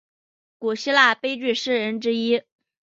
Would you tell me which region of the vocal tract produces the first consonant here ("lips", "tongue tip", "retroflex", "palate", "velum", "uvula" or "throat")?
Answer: velum